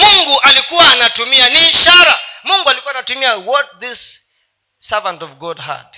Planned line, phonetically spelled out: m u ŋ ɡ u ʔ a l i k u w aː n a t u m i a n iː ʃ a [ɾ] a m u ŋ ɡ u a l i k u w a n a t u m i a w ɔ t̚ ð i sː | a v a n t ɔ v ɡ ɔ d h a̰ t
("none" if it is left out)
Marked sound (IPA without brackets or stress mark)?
ɾ